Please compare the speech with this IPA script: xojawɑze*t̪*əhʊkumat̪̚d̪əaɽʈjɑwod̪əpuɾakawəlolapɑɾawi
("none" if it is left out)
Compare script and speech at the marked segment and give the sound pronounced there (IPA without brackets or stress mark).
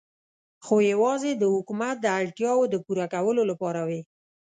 d̪